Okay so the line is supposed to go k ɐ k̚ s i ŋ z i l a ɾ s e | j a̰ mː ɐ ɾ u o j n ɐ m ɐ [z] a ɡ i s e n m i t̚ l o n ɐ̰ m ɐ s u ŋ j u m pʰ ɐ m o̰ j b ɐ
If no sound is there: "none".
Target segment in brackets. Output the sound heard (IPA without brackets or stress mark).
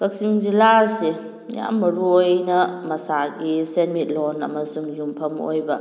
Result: s